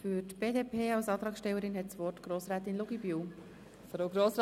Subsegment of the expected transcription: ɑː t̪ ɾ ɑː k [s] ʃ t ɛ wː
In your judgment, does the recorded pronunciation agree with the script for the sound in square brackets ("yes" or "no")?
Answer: yes